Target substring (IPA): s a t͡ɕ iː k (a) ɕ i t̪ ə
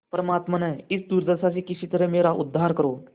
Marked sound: incorrect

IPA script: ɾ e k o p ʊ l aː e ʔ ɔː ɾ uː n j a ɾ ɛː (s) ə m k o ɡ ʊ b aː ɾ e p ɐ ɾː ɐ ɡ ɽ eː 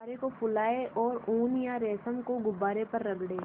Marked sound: correct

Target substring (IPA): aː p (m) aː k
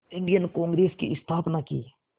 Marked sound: incorrect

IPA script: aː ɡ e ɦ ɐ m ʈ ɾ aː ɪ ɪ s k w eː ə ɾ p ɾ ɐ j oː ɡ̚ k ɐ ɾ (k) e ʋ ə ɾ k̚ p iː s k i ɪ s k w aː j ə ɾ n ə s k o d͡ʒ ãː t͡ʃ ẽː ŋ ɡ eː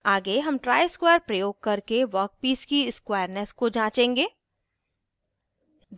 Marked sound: correct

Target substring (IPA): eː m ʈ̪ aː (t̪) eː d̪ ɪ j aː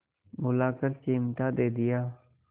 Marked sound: incorrect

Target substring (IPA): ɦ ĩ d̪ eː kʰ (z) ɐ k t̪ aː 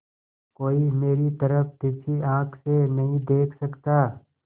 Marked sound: incorrect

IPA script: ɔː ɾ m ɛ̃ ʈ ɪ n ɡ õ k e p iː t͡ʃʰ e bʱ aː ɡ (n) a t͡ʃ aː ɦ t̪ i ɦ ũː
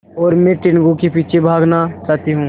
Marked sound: correct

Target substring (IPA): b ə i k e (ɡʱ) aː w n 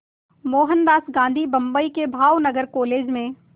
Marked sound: incorrect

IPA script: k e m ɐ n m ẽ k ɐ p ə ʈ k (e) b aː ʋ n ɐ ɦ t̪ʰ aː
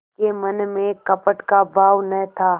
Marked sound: incorrect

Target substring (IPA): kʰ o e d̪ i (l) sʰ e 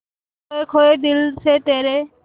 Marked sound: correct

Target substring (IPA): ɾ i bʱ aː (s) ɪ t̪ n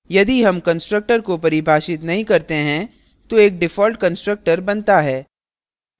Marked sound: incorrect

